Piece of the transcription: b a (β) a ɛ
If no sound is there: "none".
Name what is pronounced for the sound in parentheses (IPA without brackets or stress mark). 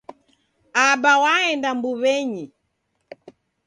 w